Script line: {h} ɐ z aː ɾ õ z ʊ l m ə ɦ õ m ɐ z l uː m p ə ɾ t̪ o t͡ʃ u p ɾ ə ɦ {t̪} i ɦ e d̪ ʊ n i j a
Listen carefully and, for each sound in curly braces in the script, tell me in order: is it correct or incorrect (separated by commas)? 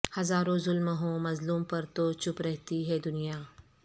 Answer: correct, correct